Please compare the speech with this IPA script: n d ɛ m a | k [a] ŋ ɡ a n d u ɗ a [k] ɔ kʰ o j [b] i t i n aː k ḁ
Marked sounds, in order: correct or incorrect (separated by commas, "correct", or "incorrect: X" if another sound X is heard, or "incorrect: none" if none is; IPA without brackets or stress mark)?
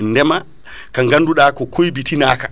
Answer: correct, correct, correct